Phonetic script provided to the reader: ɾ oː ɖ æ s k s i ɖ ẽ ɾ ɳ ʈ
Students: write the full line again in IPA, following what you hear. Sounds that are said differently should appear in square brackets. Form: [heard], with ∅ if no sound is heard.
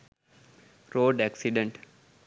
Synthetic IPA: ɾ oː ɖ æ [∅] k s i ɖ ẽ [∅] ɳ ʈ